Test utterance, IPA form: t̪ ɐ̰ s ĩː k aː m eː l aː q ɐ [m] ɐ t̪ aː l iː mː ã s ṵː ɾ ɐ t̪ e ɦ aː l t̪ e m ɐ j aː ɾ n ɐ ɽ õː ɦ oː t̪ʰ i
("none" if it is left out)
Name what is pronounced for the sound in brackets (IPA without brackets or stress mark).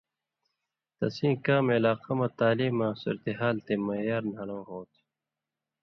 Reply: m